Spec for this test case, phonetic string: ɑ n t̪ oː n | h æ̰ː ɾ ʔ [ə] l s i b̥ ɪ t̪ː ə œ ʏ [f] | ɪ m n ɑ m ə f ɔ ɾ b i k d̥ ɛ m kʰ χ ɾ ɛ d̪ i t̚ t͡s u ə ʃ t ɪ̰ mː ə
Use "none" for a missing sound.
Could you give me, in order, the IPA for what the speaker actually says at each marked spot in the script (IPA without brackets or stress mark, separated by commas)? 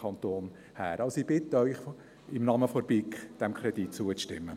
ɑ, χ